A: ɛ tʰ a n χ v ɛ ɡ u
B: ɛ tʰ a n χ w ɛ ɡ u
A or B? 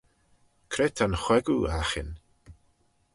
B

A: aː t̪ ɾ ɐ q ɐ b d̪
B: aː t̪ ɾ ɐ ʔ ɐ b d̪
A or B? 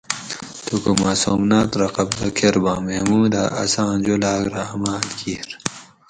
A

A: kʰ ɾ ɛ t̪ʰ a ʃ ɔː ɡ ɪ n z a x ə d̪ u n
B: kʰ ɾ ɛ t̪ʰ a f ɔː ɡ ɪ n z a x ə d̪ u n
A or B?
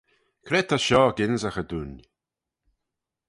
A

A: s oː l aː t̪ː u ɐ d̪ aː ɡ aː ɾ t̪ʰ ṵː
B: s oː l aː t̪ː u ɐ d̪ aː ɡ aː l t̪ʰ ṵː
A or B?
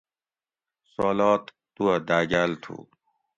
B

